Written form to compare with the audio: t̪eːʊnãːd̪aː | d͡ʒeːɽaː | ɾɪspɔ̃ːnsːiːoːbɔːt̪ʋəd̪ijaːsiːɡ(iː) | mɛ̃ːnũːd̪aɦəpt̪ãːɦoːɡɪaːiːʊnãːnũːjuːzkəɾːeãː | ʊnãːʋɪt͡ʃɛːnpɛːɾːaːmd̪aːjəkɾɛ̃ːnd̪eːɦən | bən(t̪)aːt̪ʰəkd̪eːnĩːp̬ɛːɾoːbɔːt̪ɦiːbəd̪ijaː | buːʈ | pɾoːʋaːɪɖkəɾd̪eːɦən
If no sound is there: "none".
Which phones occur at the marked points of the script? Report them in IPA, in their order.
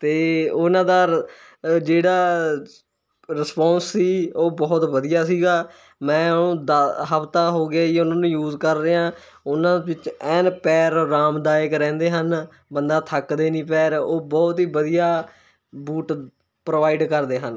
aː, d̪

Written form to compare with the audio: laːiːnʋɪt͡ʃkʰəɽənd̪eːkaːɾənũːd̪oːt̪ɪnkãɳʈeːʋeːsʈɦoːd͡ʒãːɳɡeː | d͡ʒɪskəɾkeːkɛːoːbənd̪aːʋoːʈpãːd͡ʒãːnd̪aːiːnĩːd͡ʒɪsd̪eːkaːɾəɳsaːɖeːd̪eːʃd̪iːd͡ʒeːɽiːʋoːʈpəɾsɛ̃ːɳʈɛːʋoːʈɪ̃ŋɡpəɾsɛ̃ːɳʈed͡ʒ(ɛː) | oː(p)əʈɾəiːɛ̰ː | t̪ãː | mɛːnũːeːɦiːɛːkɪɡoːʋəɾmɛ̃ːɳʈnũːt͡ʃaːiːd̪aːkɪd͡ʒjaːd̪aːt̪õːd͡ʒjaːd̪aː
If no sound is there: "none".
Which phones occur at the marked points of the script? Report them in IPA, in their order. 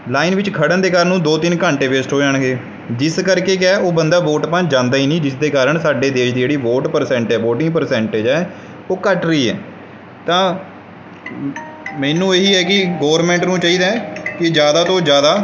ɛː, k

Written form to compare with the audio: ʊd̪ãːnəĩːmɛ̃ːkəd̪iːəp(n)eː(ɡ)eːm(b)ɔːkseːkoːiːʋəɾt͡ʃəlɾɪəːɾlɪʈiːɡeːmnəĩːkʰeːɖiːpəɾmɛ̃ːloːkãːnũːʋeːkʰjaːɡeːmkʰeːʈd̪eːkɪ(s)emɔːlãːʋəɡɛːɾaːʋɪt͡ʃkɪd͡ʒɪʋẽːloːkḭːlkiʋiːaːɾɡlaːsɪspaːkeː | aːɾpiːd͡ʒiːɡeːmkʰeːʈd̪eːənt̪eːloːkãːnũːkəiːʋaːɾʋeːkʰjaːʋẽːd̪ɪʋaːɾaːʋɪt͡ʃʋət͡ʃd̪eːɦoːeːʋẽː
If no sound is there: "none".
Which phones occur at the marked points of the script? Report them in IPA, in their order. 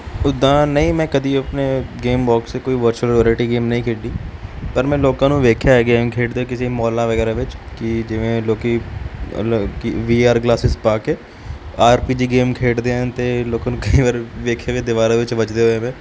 n, ɡ, b, s

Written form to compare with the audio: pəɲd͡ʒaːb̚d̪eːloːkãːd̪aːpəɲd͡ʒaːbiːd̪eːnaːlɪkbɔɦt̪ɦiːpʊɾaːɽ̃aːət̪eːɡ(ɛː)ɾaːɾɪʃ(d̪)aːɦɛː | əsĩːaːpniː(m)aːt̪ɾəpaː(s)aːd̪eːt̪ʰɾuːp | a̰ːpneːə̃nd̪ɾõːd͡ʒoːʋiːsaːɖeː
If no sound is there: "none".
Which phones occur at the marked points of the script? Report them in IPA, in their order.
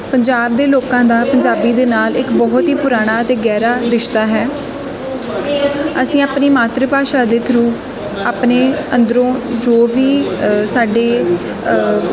ɛː, t̪, m, ʃ

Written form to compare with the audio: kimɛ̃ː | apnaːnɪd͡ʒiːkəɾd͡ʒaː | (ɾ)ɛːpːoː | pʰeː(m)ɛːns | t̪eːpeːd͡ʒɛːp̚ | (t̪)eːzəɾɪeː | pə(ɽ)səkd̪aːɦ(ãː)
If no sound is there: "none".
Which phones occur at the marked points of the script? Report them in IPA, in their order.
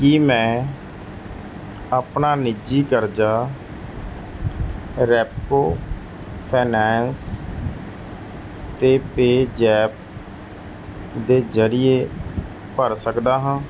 ɾ, n, d̪, ɾ, ãː

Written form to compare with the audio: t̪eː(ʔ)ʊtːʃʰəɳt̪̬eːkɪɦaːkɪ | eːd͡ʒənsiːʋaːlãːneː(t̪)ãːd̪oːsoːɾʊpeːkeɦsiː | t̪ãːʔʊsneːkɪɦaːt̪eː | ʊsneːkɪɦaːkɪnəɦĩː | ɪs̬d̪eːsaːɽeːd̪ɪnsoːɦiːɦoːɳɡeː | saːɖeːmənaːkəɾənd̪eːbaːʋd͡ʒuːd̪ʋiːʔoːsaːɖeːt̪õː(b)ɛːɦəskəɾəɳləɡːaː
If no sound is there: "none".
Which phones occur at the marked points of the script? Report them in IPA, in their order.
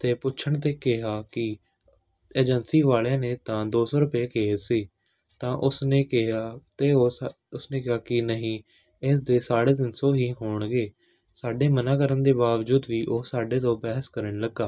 p, t̪, b

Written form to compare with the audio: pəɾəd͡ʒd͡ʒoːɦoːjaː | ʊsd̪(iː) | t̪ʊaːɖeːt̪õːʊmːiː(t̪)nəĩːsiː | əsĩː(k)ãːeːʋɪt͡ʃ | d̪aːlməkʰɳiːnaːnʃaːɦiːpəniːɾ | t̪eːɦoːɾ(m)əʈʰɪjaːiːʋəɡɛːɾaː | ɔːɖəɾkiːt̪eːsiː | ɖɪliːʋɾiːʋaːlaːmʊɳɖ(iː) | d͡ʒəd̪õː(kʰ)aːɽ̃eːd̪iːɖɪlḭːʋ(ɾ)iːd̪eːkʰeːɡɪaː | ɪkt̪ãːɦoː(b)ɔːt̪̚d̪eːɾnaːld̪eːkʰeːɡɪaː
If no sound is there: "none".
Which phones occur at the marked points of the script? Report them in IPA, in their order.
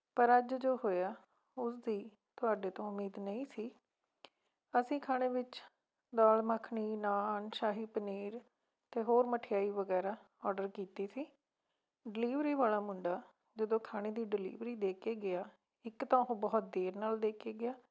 iː, d̪, kʰ, m, aː, kʰ, ɾ, b

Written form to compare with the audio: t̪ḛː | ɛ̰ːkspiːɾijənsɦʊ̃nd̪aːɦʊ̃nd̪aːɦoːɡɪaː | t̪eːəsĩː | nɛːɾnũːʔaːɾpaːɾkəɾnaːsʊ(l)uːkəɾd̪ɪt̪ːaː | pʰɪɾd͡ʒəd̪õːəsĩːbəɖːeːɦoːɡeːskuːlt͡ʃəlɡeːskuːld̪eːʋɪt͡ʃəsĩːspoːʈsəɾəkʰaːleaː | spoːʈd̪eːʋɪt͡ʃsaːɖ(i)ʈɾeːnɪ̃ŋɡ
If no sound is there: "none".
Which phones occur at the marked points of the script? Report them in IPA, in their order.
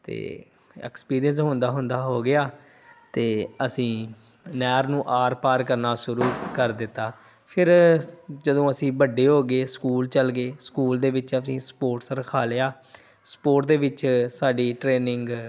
ɾ, iː

